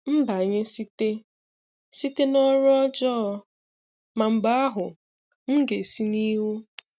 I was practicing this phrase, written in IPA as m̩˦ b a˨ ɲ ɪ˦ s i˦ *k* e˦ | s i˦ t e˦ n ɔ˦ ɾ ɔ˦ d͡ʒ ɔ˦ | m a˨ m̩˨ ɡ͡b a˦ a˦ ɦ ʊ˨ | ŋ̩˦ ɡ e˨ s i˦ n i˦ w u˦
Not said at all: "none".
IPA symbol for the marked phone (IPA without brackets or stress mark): t